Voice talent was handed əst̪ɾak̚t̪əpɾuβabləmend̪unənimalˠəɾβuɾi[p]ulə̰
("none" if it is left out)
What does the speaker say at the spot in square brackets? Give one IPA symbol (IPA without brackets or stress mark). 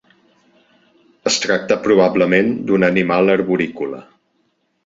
k